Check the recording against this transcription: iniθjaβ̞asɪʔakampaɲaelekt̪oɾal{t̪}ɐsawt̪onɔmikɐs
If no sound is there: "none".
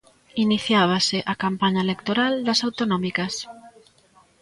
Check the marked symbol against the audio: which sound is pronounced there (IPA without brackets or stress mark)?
d̪